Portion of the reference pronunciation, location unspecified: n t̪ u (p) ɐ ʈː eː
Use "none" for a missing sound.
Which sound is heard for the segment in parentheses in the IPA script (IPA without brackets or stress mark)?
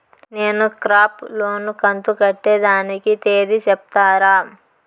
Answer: k